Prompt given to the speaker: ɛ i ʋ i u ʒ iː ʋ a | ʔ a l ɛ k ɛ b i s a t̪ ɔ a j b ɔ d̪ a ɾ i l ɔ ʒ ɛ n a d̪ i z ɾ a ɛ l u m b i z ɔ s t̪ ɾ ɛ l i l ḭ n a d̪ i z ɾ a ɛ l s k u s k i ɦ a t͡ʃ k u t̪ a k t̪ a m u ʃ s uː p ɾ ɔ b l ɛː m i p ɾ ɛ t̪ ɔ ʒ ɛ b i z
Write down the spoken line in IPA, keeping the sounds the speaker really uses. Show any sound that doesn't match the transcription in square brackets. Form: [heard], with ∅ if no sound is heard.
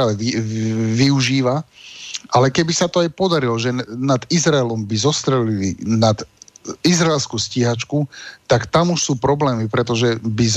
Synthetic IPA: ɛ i ʋ i u ʒ iː ʋ a | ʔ a l ɛ k ɛ b i s a t̪ ɔ a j [p] ɔ d̪ a ɾ i l ɔ ʒ ɛ n a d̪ i z ɾ a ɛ l [ɔ] m b i z ɔ s t̪ ɾ ɛ l i l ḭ n a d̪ i z ɾ a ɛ l s k u s [c] i ɦ a t͡ʃ k u t̪ a k t̪ a m u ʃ s uː p ɾ ɔ b l ɛː m i p ɾ ɛ t̪ ɔ ʒ ɛ b i z